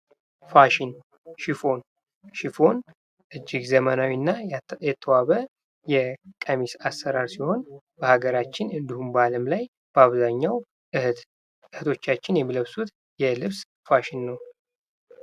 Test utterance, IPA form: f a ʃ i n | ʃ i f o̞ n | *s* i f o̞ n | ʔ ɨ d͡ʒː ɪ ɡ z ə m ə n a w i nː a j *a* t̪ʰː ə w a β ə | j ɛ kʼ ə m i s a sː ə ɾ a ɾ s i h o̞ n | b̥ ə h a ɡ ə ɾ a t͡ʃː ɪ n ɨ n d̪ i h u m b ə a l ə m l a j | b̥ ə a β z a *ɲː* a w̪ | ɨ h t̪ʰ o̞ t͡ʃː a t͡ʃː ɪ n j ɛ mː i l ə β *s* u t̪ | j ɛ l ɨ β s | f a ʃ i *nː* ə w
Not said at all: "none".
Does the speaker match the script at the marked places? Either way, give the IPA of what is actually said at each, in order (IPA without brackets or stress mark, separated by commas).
ʃ, ɛ, ɲː, s, nː